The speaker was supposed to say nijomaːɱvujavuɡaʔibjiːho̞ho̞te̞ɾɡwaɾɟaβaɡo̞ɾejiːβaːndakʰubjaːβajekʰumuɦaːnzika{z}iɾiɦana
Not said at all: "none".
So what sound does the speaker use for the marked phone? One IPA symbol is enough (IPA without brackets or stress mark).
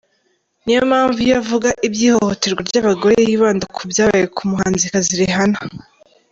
z